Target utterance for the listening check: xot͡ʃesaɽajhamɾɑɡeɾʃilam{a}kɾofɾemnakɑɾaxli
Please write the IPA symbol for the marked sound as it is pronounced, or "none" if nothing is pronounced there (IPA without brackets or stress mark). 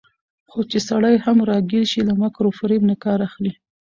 a